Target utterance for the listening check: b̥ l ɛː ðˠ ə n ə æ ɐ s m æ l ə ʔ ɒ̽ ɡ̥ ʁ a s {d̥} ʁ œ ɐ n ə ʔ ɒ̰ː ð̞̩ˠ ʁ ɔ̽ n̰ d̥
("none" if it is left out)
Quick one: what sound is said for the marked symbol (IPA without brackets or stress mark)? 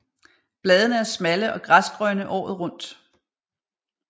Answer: ɡ̥